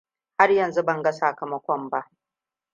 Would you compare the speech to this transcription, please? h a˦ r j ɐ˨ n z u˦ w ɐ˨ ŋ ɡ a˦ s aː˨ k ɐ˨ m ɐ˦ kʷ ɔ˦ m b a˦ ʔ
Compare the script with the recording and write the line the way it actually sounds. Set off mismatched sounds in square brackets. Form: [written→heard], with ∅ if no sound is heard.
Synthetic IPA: h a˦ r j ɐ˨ n z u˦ [w→b] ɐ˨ ŋ ɡ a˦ s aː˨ k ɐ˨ m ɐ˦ kʷ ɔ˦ m b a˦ ʔ

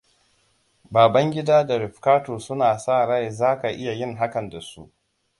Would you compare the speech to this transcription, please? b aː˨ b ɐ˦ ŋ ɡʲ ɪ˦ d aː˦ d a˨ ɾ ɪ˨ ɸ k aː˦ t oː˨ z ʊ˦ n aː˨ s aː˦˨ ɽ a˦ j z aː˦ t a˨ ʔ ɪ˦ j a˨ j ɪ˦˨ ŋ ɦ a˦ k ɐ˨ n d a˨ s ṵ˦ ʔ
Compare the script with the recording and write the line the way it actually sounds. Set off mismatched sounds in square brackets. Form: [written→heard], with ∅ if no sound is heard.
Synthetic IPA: b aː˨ b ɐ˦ ŋ ɡʲ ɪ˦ d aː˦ d a˨ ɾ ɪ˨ ɸ k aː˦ t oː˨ [z→s] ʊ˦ n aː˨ s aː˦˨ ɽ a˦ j z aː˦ [t→k] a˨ ʔ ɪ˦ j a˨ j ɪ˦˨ ŋ ɦ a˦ k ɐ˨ n d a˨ s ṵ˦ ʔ

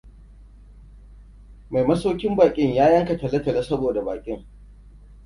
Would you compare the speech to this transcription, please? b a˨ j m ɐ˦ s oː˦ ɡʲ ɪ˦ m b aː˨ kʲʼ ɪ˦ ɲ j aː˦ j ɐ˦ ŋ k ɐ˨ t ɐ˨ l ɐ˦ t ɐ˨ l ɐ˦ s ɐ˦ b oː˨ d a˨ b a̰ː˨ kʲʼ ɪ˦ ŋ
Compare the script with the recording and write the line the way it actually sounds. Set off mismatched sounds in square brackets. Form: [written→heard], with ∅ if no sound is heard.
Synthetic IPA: [b→m] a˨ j m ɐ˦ s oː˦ [ɡʲ→kʲ] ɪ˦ m b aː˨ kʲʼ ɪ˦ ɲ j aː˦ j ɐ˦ ŋ k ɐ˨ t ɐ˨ l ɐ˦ t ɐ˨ l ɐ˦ s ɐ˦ b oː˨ d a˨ b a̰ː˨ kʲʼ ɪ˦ ŋ

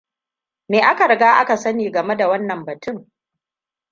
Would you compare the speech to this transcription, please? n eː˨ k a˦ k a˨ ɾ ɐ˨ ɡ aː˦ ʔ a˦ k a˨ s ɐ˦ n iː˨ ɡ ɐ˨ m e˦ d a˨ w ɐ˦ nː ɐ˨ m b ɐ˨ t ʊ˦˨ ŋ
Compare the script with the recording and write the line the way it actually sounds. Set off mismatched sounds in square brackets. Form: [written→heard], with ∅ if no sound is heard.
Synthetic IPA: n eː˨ [k→ʔ] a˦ k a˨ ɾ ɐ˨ ɡ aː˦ ʔ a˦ k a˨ s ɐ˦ n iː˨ ɡ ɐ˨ m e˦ d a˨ w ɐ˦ nː ɐ˨ m b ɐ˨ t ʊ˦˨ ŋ

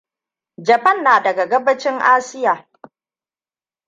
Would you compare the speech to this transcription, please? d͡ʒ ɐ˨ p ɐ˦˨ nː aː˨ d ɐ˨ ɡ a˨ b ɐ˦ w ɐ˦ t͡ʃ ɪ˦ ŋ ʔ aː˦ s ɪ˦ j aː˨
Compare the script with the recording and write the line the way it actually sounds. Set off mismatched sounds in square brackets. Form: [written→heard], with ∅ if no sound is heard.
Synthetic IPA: d͡ʒ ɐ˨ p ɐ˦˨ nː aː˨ d ɐ˨ ɡ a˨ [b→ɡ] ɐ˦ [w→b] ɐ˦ t͡ʃ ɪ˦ ŋ ʔ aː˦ s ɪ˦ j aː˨

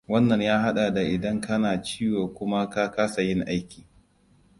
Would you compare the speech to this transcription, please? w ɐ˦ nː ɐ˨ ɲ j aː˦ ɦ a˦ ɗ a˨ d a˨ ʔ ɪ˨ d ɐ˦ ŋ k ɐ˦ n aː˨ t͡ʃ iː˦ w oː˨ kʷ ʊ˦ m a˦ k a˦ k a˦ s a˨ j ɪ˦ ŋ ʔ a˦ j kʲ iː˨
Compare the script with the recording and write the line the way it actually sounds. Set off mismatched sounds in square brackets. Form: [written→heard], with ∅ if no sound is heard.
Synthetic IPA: w ɐ˦ nː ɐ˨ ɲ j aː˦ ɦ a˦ ɗ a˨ d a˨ ʔ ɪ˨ d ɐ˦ ŋ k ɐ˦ n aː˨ t͡ʃ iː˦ w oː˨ kʷ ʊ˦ m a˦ k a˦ k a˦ s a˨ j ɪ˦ ŋ ʔ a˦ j kʲ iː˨

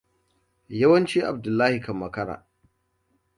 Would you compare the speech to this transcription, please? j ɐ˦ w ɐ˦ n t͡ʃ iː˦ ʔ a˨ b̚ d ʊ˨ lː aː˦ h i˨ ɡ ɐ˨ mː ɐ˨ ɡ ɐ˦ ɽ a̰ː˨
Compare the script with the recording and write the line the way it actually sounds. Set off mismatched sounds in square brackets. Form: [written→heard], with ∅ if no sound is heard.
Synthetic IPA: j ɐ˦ w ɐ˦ n t͡ʃ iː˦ ʔ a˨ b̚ d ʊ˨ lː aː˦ h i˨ [ɡ→k] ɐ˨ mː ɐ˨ [ɡ→k] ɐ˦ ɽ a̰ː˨

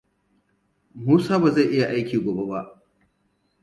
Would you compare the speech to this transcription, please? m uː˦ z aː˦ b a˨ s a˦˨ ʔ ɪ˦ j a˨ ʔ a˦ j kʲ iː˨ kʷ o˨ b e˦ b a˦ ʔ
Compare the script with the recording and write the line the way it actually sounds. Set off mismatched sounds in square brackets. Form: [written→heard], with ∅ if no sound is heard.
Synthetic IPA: m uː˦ [z→s] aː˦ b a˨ [s→z] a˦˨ ʔ ɪ˦ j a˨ ʔ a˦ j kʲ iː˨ [kʷ→ɡʷ] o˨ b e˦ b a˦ ʔ

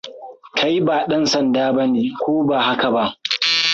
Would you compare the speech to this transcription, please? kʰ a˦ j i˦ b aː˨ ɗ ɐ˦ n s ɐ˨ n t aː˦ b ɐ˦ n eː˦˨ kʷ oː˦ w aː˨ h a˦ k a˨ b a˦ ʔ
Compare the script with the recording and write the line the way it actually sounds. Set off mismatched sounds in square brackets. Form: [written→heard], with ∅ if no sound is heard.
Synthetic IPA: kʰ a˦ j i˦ b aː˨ ɗ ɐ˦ n s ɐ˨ n [t→d] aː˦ b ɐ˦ n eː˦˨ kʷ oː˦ [w→b] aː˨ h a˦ k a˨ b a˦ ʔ

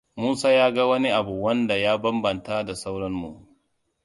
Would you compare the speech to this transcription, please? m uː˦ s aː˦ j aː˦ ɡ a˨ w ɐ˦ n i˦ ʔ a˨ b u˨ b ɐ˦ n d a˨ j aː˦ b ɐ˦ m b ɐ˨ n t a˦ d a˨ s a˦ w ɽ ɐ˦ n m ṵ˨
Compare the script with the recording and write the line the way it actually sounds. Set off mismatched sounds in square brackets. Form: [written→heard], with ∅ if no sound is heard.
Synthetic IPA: m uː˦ s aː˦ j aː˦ ɡ [a˨→a˦] w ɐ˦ n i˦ ʔ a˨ b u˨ [b→w] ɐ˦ n d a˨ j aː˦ b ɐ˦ m b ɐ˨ n t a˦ d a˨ s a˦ w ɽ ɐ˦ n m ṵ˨

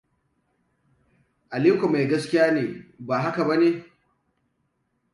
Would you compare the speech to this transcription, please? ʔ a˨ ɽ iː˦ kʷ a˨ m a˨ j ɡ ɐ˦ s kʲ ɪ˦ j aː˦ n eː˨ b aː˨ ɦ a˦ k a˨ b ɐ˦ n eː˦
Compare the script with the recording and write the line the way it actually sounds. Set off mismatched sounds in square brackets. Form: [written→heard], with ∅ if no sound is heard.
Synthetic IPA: ʔ a˨ [ɽ→l] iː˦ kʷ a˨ m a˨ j ɡ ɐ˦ s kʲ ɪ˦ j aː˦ n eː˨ b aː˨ ɦ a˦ k a˨ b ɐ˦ n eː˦

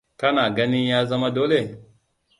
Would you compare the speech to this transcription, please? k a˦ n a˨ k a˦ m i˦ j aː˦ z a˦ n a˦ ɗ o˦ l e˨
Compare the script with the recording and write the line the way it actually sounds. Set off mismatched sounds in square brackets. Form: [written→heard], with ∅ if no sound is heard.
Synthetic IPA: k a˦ n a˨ [k→ɡ] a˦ [m→n] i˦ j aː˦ z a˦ [n→m] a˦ [ɗ→d] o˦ l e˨

